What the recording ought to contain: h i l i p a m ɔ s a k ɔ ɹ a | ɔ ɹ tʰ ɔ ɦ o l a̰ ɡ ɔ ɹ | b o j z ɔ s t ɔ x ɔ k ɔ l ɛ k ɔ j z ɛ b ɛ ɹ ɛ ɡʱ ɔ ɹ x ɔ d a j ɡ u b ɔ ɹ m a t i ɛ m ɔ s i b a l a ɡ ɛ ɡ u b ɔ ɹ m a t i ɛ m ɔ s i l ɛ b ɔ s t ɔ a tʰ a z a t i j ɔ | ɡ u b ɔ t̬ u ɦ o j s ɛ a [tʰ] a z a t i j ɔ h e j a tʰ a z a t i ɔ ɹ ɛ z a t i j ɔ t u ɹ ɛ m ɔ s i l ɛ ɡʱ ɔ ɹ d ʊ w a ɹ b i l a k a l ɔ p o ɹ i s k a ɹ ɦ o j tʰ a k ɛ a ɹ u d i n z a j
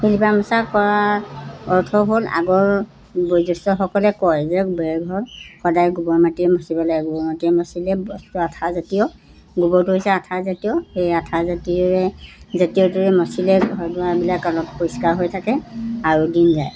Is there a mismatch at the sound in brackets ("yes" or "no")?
no